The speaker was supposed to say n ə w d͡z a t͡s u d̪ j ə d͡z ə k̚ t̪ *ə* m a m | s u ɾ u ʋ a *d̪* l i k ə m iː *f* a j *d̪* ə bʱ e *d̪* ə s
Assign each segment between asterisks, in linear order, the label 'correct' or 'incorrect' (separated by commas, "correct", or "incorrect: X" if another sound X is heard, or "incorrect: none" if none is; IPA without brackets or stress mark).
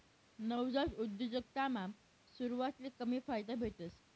incorrect: a, incorrect: t̪, correct, correct, incorrect: t̪